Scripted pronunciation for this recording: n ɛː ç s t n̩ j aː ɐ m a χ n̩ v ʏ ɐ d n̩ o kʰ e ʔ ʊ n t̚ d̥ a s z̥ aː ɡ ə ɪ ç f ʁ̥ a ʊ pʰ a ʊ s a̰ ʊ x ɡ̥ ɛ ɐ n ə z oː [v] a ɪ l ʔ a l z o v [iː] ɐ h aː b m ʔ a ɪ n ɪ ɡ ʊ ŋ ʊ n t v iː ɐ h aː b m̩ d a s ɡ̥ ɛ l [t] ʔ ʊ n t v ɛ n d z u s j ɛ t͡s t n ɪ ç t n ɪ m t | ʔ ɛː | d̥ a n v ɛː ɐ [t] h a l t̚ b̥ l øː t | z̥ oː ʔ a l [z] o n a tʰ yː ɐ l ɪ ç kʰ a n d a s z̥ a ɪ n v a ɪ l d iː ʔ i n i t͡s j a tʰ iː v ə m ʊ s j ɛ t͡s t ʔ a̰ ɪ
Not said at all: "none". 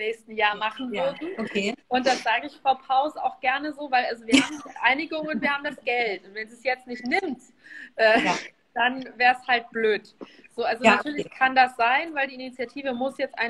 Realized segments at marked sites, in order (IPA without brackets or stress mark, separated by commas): v, iː, t, s, z